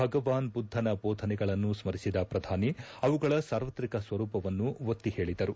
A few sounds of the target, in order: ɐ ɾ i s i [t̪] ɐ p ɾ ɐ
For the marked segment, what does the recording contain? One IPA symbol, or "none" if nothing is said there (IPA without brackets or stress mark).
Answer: d̪